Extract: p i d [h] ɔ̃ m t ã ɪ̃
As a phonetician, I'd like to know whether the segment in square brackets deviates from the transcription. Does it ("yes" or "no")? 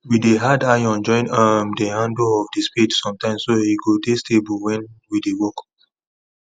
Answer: yes